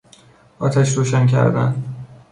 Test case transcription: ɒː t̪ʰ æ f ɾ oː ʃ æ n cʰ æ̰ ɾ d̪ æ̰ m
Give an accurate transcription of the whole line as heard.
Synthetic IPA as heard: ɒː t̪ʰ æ ʃ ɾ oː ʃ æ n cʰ æ̰ ɾ d̪ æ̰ n